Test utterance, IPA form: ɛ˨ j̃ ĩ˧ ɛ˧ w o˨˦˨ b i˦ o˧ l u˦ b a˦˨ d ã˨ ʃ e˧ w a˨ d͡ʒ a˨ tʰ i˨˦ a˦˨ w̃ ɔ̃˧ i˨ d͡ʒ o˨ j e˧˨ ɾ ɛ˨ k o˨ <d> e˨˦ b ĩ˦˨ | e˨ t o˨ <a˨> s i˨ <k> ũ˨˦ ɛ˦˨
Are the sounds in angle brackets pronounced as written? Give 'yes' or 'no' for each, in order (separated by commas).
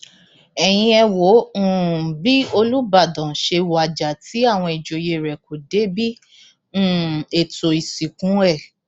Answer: yes, no, yes